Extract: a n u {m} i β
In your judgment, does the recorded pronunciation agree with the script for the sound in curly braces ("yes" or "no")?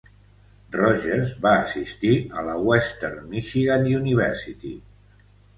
no